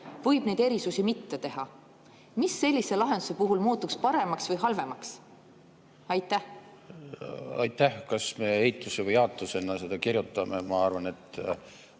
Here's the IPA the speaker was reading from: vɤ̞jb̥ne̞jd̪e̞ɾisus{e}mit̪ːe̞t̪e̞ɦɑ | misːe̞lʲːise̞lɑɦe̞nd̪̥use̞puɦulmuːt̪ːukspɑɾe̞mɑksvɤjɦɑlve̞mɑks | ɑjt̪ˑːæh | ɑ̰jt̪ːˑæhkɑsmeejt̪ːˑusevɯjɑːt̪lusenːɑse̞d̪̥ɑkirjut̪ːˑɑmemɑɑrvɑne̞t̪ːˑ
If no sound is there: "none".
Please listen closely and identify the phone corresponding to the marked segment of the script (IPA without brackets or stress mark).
i